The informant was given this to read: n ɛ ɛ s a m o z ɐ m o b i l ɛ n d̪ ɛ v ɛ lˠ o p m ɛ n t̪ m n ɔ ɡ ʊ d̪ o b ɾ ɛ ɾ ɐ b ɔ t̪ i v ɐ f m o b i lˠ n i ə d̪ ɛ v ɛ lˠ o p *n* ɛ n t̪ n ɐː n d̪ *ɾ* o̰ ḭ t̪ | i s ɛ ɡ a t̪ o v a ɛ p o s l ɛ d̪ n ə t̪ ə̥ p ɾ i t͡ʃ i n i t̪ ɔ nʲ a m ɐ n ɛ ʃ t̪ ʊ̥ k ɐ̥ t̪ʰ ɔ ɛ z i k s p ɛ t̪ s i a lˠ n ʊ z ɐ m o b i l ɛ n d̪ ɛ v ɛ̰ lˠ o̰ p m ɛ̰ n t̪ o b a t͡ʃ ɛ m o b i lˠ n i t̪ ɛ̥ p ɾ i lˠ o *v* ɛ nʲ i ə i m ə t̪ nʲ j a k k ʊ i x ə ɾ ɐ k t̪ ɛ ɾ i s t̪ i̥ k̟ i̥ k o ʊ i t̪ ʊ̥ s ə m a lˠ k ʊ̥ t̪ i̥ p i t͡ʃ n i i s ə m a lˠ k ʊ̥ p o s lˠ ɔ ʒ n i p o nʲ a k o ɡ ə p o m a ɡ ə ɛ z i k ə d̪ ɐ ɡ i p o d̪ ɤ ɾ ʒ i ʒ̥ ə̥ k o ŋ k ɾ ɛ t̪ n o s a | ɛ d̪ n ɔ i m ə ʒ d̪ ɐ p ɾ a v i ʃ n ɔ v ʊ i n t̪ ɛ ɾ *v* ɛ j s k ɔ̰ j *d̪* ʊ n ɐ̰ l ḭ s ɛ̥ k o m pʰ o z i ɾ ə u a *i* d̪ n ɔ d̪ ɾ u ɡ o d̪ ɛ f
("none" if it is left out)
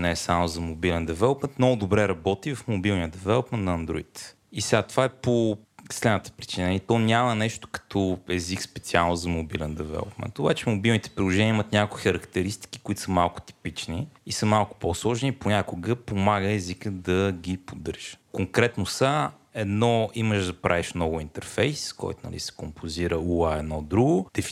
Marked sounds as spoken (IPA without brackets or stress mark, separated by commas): m, ɾ, ʒ, f, t̪, ɛ